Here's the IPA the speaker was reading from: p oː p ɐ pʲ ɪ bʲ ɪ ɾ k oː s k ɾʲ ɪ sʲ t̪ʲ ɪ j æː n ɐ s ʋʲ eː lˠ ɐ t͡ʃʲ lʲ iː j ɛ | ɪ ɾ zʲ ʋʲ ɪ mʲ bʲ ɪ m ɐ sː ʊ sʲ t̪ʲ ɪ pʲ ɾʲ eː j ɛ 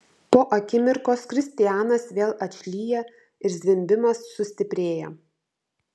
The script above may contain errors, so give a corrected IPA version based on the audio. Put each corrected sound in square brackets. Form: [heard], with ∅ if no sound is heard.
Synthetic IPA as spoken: p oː [ʔ] ɐ [kʲ] ɪ [mʲ] ɪ ɾ k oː s k ɾʲ ɪ sʲ t̪ʲ ɪ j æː n ɐ s ʋʲ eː lˠ ɐ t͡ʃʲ lʲ iː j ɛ | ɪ ɾ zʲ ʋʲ ɪ mʲ bʲ ɪ m ɐ sː ʊ sʲ t̪ʲ ɪ pʲ ɾʲ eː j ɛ